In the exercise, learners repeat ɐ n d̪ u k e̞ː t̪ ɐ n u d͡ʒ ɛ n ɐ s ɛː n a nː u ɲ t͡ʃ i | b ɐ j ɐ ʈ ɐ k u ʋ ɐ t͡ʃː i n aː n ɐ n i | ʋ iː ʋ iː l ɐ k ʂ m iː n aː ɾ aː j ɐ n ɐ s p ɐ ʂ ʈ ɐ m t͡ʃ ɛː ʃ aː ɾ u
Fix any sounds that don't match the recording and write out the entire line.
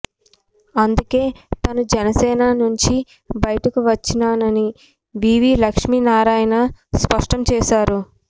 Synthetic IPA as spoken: ɐ n d̪ u k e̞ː t̪ ɐ n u d͡ʒ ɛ n ɐ s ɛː n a n u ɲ t͡ʃ i | b ɐ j ɐ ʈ ɐ k u ʋ ɐ t͡ʃː i n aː n ɐ n i | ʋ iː ʋ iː l ɐ k ʂ m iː n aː ɾ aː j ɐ n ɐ s p ɐ ʂ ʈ ɐ m t͡ʃ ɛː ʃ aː ɾ u